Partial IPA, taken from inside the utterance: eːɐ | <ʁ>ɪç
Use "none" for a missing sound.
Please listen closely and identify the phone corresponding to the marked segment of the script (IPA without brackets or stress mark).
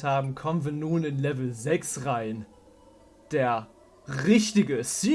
ʁ